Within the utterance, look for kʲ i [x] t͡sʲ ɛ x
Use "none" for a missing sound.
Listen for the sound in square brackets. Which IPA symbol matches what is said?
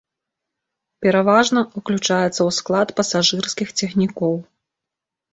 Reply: x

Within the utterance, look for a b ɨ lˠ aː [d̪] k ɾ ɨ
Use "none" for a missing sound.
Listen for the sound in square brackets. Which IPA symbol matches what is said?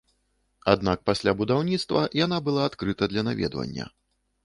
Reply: t̪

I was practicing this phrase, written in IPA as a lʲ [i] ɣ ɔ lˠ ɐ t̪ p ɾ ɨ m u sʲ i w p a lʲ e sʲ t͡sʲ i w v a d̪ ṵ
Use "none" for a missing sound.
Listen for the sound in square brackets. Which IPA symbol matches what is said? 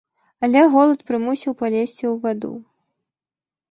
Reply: ɛ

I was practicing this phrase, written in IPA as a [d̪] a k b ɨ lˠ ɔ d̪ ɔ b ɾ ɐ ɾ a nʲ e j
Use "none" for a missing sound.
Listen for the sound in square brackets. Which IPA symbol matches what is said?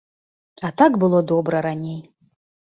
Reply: t̪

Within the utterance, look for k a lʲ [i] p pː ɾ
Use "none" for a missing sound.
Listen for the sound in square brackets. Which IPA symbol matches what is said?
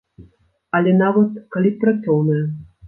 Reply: i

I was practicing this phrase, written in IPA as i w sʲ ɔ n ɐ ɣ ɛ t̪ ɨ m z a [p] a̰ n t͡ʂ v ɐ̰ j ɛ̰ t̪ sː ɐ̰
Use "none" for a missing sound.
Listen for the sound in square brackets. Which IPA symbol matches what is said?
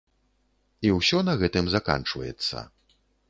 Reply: k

